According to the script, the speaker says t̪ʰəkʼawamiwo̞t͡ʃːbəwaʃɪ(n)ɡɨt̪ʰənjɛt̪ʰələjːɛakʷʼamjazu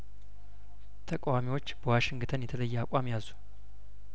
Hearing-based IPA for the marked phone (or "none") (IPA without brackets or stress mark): ŋ